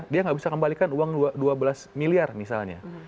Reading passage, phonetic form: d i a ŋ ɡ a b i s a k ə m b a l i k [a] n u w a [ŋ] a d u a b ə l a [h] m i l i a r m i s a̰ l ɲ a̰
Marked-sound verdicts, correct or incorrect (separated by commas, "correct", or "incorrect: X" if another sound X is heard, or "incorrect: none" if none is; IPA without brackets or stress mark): correct, correct, incorrect: s